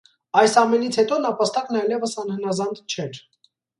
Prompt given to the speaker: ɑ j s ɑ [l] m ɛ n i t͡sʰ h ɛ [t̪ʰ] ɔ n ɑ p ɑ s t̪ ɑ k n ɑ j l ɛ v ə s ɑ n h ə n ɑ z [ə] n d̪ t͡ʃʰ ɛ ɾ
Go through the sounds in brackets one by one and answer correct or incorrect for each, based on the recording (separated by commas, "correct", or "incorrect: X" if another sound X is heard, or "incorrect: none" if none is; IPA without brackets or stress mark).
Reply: incorrect: none, incorrect: t̪, incorrect: ɑ